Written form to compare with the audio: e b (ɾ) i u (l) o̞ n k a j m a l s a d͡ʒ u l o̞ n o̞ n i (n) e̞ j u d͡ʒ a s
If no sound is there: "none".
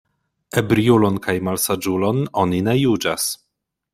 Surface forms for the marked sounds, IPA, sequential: ɾ, l, n

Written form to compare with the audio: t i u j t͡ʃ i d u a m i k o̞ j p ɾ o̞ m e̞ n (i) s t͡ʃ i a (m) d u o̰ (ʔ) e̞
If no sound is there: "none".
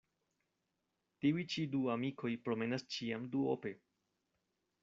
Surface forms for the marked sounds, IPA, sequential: a, m, p

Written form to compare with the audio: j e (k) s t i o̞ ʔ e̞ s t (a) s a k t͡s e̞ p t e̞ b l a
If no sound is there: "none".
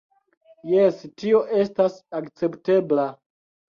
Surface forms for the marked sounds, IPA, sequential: none, a

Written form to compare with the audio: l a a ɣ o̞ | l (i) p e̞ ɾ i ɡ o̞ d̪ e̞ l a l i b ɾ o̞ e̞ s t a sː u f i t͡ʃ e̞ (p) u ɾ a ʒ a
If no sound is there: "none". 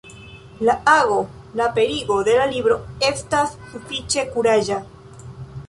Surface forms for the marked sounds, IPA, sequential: a, k

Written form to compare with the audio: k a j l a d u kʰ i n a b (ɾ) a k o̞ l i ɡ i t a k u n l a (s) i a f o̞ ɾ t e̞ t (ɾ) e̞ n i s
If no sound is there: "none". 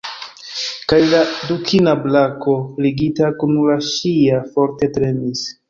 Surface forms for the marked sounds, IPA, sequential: l, ʃ, ɾ

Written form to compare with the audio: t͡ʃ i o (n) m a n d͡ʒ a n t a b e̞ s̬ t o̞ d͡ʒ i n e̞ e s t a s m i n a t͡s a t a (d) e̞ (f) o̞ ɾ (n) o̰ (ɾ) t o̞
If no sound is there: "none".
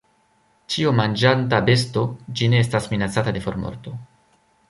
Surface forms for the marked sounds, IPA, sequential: none, d, f, m, ɾ

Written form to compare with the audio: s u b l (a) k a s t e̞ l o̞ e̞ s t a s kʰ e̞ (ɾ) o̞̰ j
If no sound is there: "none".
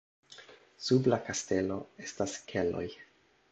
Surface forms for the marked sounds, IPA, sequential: a, l

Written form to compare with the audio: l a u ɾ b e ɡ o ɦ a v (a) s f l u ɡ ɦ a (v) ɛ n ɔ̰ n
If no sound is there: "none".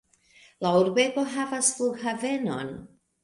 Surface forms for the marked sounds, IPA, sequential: a, v

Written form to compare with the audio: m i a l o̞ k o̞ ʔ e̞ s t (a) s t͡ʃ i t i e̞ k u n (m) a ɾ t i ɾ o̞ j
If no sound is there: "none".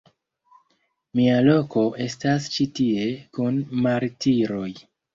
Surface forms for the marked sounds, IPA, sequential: a, m

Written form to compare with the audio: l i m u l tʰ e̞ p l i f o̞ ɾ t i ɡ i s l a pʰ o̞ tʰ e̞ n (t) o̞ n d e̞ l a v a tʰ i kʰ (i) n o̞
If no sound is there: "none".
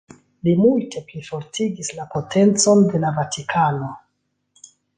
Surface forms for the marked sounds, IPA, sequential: t͡s, a

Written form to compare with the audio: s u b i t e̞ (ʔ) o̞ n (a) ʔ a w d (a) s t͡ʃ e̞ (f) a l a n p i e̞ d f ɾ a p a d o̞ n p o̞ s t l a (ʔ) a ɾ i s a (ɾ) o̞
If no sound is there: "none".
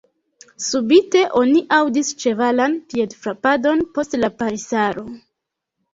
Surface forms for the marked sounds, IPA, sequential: ʔ, i, i, v, p, ɾ

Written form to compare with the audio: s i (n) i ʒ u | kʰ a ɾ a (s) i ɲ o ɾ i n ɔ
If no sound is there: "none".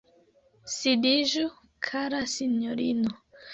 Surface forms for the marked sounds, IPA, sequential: d, s

